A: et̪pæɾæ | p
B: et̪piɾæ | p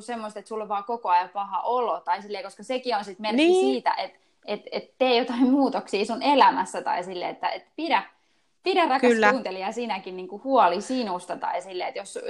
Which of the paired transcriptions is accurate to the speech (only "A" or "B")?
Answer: B